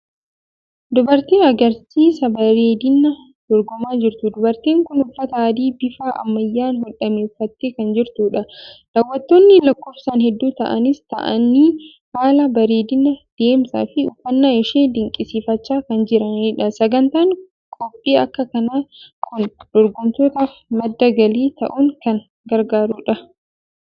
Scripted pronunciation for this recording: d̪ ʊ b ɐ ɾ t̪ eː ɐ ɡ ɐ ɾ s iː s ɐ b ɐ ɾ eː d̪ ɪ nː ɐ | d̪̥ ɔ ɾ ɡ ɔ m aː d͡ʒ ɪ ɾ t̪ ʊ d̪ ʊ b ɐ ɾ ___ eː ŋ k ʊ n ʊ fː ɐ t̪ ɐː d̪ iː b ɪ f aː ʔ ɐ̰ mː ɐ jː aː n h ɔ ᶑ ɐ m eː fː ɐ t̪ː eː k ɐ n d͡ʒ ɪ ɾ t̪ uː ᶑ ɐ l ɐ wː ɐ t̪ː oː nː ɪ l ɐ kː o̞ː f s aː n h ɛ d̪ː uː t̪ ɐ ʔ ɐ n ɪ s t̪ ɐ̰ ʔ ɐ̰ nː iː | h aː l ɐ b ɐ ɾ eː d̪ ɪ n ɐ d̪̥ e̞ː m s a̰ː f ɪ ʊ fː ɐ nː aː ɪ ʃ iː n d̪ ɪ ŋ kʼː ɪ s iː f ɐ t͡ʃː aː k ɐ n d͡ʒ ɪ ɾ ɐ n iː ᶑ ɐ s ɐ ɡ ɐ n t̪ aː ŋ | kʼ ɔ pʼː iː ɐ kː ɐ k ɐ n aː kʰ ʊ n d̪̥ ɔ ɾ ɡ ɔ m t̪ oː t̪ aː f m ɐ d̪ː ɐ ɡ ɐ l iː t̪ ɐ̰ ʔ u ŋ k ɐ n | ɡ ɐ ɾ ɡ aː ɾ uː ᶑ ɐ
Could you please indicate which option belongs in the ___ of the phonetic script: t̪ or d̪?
t̪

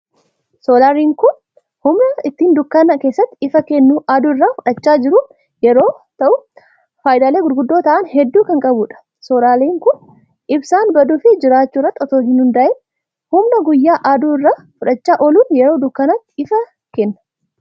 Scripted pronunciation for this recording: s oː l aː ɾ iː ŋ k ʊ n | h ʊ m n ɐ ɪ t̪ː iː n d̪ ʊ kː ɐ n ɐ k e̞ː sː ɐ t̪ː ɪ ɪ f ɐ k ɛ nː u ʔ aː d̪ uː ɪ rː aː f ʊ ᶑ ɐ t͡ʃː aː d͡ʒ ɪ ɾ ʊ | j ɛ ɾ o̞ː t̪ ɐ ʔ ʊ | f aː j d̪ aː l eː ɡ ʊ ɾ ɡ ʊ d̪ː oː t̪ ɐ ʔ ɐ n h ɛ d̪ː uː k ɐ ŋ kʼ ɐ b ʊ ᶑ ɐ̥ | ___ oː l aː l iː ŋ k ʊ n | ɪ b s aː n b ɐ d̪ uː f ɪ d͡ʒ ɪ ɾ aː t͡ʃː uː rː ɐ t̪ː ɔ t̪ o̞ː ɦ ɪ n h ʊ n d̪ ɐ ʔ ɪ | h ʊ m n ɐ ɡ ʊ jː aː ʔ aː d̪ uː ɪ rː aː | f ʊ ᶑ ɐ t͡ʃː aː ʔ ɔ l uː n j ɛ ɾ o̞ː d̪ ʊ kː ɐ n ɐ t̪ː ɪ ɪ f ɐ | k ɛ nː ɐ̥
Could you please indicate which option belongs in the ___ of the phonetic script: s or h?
s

